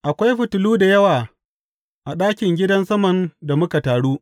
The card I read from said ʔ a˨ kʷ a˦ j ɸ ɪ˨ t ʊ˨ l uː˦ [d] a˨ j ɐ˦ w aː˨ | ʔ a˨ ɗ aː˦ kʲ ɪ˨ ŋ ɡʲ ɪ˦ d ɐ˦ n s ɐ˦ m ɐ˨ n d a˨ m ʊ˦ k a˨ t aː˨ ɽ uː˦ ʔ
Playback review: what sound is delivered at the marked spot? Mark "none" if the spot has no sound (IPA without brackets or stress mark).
d